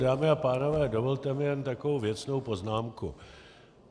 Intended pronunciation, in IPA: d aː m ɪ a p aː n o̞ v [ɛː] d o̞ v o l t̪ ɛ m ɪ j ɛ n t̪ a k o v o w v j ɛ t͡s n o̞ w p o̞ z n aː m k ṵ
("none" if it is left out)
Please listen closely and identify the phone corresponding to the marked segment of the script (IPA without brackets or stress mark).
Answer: ɛː